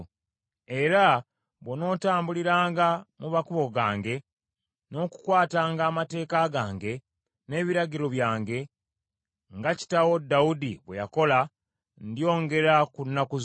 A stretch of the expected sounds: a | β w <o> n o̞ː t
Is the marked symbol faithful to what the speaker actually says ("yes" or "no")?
yes